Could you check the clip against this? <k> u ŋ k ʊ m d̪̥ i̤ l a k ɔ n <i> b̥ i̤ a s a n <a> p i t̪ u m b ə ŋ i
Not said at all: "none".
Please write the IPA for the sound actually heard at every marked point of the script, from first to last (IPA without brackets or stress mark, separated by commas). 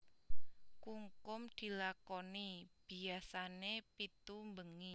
k, i, e